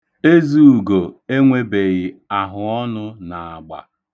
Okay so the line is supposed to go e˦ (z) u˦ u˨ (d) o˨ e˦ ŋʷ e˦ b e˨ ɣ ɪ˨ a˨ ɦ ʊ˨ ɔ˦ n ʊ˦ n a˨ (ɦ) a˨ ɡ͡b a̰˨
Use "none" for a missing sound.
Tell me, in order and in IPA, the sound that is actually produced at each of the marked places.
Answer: z, ɡ, none

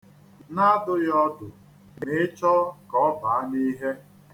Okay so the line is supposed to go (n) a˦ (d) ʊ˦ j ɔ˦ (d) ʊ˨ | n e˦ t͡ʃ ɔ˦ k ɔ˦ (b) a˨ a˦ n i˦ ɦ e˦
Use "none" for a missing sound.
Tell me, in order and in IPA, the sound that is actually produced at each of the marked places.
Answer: n, d, d, b

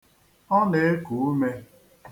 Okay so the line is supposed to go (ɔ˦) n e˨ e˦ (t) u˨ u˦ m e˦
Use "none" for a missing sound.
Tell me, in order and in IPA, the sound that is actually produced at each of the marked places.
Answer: ɔ˦, k

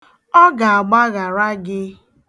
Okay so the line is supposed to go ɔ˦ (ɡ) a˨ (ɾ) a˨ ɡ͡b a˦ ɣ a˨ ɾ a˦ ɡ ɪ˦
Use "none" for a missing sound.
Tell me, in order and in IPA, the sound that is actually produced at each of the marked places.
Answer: ɡ, none

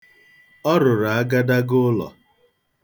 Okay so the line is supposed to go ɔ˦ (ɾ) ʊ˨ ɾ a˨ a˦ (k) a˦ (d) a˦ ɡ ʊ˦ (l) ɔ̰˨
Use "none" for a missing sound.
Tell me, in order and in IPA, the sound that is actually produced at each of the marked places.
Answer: ɾ, ɡ, d, l

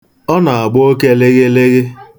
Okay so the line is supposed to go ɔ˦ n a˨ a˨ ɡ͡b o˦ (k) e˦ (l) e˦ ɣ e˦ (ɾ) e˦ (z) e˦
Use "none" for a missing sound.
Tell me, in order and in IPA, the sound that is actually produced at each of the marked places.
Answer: k, l, l, ɣ

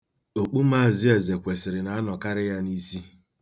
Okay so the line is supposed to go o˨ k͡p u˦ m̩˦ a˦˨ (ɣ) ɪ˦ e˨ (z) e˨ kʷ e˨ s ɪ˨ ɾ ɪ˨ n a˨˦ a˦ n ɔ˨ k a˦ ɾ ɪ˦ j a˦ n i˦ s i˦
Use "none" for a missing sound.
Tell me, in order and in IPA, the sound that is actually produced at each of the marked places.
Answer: z, z

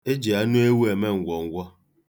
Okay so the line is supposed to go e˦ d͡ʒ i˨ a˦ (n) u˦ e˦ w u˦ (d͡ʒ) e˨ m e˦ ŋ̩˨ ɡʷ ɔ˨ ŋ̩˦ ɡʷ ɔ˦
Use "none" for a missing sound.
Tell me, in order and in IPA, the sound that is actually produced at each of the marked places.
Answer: n, none

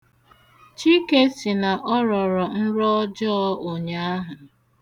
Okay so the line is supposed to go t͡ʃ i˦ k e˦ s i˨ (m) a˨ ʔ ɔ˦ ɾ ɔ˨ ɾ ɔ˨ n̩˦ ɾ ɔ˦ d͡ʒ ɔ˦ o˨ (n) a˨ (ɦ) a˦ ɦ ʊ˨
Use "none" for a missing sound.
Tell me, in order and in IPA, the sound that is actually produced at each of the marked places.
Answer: n, ɲ, none

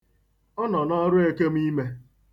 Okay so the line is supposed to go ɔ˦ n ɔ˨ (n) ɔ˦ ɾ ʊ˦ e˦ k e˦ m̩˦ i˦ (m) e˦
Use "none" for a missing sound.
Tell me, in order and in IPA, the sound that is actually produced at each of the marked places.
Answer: n, m

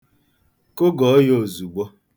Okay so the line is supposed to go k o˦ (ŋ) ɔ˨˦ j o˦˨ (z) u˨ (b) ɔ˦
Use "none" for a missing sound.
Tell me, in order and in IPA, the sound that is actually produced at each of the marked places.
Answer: ɡ, z, ɡ͡b

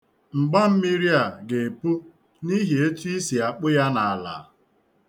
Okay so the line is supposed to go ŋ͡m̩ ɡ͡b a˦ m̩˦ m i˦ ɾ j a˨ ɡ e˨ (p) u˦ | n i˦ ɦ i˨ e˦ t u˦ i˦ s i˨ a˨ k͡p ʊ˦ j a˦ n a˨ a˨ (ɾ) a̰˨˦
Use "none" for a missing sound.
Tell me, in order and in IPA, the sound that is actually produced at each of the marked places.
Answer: p, l

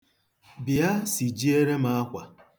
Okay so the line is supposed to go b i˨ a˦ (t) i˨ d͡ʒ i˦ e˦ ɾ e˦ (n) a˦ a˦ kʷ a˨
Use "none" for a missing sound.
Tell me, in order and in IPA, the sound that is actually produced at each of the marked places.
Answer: s, m

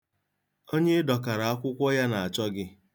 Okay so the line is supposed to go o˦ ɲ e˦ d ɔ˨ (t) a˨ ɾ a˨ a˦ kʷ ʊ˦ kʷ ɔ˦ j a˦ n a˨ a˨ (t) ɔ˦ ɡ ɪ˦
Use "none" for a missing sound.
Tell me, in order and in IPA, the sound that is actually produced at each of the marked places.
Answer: k, t͡ʃ

